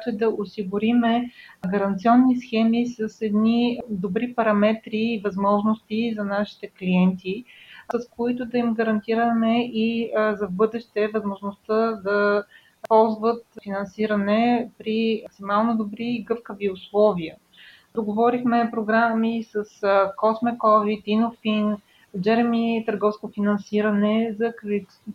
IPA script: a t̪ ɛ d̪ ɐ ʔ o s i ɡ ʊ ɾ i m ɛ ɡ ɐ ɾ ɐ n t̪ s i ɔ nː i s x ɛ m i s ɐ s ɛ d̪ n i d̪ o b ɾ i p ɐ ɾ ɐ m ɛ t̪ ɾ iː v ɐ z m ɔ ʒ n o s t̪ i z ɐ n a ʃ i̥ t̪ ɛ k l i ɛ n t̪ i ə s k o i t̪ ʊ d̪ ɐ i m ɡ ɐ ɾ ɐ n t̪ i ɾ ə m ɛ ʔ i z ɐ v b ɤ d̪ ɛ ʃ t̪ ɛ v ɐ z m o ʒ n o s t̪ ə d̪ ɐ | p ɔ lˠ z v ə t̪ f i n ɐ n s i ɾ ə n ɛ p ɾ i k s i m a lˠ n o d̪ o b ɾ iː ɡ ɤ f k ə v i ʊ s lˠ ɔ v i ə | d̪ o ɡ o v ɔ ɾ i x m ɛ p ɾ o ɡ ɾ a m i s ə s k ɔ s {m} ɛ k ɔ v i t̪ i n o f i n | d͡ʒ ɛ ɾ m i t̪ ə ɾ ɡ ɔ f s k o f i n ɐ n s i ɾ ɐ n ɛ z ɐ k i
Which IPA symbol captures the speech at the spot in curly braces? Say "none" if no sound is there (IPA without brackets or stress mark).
m